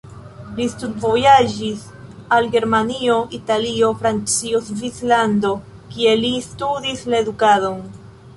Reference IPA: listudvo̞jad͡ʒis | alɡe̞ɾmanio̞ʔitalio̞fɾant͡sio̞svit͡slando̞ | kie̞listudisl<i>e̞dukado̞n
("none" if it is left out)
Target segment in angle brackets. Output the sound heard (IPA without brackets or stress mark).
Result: a